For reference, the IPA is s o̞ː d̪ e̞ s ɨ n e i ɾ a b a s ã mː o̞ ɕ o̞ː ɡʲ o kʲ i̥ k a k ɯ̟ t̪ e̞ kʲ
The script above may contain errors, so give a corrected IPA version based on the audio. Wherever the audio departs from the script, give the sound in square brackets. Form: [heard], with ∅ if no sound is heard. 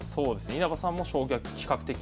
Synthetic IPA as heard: s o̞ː d̪ e̞ s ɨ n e i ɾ a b a s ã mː o̞ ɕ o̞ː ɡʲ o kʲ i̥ k a k ɯ̟ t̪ e̞ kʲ